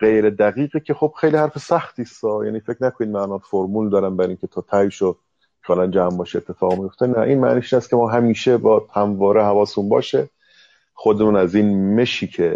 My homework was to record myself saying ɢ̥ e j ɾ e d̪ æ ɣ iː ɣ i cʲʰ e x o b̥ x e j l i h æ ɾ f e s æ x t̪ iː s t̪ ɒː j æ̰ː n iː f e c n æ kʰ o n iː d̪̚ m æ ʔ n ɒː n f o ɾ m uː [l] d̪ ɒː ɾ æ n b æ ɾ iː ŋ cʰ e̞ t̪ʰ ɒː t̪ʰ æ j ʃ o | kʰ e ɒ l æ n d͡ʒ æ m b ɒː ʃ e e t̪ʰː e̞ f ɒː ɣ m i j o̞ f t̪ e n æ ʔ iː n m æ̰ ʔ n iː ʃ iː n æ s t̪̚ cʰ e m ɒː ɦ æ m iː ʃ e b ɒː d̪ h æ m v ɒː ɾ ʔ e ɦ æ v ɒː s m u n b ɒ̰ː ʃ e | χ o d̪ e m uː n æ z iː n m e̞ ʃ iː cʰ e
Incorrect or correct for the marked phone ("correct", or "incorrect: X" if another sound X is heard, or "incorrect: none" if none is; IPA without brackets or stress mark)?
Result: correct